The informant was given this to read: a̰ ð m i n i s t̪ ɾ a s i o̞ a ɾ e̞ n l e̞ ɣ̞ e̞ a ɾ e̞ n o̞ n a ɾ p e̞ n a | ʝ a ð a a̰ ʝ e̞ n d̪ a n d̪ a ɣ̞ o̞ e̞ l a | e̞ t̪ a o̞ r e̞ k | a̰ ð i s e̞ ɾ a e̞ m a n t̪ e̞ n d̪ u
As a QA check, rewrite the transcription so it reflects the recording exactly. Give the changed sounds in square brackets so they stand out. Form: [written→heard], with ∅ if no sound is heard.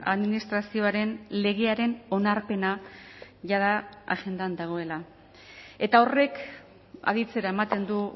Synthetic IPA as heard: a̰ ð m i n i s t̪ ɾ a s i o̞ a ɾ e̞ n l e̞ ɣ̞ e̞ a ɾ e̞ n o̞ n a ɾ p e̞ n a | ʝ a ð a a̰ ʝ e̞ n d̪ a n d̪ a ɣ̞ o̞ e̞ l a | e̞ t̪ a o̞ r e̞ k | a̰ ð i [s→t͡s] e̞ ɾ a e̞ m a [n→∅] t̪ e̞ n d̪ u